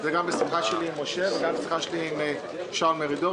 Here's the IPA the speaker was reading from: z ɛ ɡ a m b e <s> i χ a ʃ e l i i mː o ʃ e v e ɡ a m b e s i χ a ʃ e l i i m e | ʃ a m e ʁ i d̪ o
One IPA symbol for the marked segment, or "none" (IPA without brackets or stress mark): s